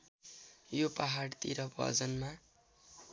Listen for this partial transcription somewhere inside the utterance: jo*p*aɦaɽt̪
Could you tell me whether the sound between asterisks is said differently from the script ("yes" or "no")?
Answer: no